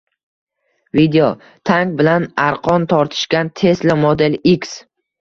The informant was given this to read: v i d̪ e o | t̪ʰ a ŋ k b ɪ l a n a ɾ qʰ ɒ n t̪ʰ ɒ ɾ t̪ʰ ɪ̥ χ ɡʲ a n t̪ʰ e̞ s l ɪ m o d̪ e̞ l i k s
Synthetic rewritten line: v i d̪ e o | t̪ʰ a ŋ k b ɪ l a n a ɾ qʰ ɒ n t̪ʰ ɒ ɾ t̪ʰ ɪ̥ ʃ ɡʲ a n t̪ʰ e̞ s l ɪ m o d̪ e̞ l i k s